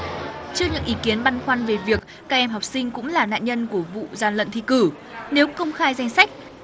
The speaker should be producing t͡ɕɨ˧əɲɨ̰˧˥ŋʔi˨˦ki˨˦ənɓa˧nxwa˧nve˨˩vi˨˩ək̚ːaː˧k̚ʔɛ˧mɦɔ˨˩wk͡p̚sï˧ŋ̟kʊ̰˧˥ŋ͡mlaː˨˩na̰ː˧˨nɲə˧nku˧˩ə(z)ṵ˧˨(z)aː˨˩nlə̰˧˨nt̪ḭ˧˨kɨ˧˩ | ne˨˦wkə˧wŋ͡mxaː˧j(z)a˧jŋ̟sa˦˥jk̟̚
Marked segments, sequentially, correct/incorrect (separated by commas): incorrect, correct, correct